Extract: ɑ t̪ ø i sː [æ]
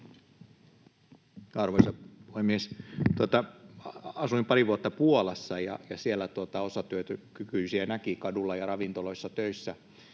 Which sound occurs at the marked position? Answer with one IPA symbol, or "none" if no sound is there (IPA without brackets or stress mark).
æ